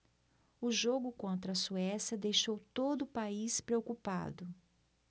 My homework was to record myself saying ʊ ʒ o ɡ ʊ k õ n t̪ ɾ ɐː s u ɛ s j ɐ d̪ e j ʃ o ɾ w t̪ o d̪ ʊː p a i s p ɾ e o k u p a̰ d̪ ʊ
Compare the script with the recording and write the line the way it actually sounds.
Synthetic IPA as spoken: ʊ ʒ o ɡ ʊ k õ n t̪ ɾ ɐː s u ɛ s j ɐ d̪ e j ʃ o w t̪ o d̪ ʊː p a i s p ɾ e o k u p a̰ d̪ ʊ